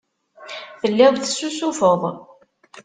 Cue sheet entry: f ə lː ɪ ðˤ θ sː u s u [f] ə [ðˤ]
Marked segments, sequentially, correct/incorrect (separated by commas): correct, correct